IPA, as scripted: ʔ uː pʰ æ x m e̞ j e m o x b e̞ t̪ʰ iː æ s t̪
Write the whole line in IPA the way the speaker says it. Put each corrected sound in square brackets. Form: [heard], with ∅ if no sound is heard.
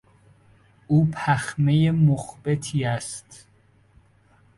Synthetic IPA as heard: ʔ uː pʰ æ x m e̞ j e m o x b e̞ t̪ʰ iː æ s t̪